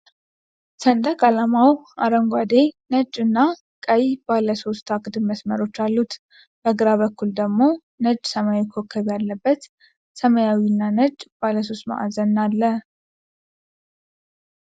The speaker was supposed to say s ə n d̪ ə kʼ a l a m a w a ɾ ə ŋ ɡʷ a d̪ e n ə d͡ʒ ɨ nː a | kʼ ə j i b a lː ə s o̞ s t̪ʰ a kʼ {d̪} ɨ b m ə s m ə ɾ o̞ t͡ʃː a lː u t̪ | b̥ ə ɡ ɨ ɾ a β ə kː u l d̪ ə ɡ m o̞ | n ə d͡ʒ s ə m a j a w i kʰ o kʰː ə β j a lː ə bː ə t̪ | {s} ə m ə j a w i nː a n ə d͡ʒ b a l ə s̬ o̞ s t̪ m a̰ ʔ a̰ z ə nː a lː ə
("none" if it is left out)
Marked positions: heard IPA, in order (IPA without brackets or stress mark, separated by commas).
d̪, s